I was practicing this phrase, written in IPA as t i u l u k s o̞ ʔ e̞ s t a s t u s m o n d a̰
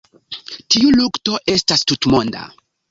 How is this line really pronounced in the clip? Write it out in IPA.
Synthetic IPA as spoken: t i u l u k t o̞ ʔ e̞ s t a s t u t m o n d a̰